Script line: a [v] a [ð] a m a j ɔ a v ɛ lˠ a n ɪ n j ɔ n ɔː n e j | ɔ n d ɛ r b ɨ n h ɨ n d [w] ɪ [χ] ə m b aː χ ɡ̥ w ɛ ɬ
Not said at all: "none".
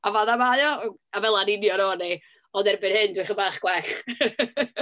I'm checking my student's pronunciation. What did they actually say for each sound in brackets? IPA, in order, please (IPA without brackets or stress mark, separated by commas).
v, ð, w, χ